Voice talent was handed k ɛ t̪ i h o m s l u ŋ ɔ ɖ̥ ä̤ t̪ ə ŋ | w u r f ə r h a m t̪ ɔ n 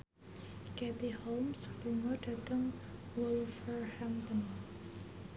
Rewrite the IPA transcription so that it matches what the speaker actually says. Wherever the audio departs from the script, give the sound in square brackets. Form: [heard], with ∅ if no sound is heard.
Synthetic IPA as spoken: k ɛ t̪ i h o m s l u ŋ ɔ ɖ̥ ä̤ t̪ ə ŋ | w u [l] f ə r h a m t̪ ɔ n